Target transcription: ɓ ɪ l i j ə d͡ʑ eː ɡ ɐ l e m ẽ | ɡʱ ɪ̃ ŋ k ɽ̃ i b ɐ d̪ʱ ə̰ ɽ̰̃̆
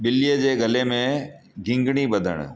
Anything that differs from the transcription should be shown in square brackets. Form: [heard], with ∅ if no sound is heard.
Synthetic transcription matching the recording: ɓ ɪ l i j ə d͡ʑ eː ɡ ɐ l e m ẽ | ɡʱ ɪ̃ ŋ [ɡ] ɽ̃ i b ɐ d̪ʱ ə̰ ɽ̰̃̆